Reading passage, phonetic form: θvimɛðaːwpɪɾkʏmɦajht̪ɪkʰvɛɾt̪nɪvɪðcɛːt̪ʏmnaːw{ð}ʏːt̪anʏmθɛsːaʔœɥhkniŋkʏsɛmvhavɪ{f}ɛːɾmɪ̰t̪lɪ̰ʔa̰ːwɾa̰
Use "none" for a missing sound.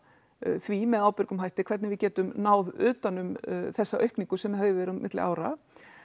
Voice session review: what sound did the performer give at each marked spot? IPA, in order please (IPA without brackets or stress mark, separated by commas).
ð, v